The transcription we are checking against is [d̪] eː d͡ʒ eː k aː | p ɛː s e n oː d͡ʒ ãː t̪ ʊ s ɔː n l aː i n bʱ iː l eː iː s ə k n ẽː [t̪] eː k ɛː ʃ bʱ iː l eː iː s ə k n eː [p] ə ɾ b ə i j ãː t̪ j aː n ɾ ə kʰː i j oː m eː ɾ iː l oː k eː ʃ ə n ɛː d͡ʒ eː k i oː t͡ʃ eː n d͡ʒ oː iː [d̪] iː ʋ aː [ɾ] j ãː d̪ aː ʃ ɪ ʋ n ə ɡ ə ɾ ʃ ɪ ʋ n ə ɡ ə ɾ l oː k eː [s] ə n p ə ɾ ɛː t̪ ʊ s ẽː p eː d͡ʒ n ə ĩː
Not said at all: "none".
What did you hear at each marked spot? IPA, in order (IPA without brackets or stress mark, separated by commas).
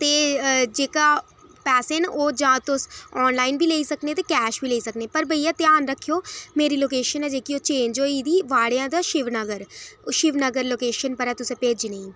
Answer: t̪, t̪, p, d̪, ɽ, ʃ